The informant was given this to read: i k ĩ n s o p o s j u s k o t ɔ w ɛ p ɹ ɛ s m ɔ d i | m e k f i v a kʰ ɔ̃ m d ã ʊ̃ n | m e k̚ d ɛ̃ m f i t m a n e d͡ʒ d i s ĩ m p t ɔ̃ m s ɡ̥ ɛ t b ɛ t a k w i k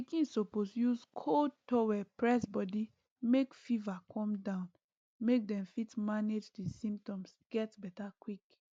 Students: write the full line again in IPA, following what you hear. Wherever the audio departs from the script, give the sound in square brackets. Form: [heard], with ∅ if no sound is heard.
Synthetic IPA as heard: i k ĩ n s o p o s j u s [kʰ] o t ɔ w ɛ p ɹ ɛ s [b] ɔ d i | m e k f i v a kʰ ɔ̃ m d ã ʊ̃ n | m e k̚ d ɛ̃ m f i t m a n e d͡ʒ d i s ĩ m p t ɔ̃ m s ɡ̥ ɛ t b ɛ t a k w i k